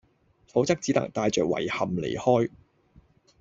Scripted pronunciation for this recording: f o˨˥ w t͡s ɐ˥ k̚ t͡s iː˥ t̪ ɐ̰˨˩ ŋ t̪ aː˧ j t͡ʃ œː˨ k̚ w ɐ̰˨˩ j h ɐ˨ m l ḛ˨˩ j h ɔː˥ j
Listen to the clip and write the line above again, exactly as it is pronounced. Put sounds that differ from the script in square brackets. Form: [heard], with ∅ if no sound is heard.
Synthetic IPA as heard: f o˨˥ w t͡s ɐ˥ k̚ t͡s [iː˨˥] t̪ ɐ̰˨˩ ŋ t̪ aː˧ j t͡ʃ œː˨ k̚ w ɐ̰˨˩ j h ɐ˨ m l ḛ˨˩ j h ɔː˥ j